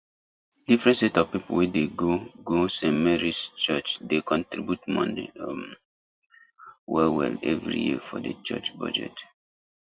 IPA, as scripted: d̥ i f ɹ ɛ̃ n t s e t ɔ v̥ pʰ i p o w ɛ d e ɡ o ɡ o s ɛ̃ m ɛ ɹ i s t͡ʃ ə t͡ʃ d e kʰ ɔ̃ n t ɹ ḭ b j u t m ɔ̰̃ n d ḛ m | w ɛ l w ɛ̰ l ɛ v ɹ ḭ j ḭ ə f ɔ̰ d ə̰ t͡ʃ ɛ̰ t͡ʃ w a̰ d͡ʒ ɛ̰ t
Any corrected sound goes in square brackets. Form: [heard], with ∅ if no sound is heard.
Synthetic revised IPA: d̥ i f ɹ ɛ̃ n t s e t ɔ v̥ [p] i p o w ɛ d e ɡ o ɡ o s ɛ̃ m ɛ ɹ i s t͡ʃ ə t͡ʃ d e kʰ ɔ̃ n t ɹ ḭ b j u t m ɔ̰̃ n d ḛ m | w ɛ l w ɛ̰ l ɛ v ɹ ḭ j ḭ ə f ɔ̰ d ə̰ t͡ʃ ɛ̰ t͡ʃ [b] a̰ d͡ʒ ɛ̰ t